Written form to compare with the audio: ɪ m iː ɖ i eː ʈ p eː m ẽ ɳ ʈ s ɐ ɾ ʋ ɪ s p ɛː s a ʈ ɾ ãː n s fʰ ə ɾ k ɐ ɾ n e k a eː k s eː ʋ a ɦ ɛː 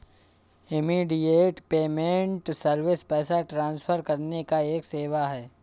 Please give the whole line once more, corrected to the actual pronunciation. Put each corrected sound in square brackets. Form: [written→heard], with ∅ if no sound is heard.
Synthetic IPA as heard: ɪ m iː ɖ i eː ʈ p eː m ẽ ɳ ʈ s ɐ ɾ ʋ ɪ s p ɛː s a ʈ ɾ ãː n s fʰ ə ɾ k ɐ ɾ n e k a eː k s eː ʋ a ɦ ɛː